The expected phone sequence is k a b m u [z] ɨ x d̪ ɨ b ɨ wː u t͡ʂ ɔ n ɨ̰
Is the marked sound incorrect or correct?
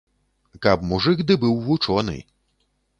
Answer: incorrect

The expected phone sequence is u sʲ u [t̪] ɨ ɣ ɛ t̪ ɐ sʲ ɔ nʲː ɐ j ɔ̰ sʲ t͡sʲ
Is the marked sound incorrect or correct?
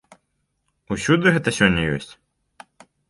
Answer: incorrect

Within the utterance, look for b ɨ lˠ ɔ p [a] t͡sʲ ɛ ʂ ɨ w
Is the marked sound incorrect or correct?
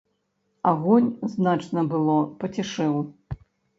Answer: incorrect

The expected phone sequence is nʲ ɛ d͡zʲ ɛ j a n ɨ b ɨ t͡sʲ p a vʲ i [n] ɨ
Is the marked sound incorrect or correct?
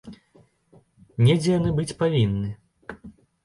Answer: incorrect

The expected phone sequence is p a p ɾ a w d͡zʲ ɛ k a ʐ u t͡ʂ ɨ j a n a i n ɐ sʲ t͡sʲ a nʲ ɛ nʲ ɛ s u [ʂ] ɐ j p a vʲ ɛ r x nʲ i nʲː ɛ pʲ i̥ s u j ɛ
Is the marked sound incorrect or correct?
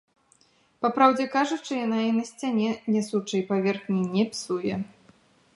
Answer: incorrect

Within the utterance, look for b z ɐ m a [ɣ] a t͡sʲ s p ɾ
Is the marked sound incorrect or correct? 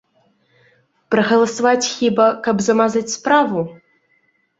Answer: incorrect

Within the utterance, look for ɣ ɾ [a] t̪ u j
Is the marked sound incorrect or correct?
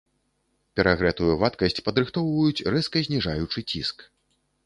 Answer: incorrect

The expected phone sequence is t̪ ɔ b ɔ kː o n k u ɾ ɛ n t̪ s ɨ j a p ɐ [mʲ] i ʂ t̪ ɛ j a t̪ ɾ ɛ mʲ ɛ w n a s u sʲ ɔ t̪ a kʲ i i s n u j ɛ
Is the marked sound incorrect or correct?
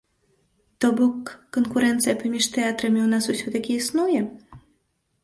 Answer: correct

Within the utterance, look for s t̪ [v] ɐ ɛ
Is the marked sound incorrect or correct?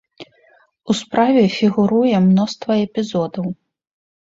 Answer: correct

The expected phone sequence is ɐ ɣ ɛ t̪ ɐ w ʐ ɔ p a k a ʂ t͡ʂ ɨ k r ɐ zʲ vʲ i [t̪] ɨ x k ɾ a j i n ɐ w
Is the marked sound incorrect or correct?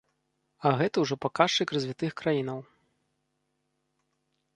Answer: correct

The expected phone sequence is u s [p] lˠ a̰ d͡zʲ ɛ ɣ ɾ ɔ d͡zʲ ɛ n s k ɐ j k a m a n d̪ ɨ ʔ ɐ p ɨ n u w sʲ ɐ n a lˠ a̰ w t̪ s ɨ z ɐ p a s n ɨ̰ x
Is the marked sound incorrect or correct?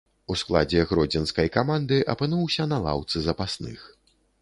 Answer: incorrect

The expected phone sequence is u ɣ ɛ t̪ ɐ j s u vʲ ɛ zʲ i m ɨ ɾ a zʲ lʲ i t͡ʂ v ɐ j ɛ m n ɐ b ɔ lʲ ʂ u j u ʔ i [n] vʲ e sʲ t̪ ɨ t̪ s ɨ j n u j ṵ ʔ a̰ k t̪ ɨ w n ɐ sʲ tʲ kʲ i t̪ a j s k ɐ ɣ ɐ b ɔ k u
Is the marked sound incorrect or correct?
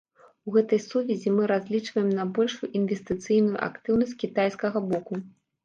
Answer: correct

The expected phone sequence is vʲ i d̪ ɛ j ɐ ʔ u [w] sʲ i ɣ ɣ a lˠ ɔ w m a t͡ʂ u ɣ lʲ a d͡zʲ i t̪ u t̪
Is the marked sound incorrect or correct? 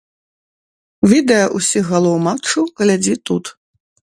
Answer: incorrect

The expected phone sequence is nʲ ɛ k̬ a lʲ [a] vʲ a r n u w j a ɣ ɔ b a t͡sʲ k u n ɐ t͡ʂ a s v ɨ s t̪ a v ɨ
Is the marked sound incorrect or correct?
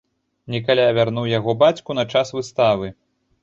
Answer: correct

